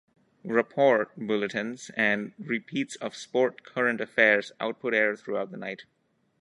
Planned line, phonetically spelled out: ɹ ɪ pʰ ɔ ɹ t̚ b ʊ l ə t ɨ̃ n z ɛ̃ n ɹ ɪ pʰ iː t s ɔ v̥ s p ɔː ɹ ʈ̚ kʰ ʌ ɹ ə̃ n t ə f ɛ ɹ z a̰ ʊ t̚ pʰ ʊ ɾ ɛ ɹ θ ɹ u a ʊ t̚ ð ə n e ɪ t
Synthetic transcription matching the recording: ɹ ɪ pʰ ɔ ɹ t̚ b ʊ l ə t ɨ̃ n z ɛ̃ n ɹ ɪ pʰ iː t s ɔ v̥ s p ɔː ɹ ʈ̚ kʰ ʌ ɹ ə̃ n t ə f ɛ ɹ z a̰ ʊ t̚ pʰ ʊ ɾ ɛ ɹ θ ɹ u a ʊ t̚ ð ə n a ɪ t